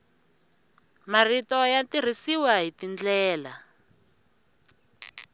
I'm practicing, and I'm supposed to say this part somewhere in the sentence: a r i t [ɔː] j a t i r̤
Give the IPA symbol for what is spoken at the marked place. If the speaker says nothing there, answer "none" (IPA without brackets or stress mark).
ɔ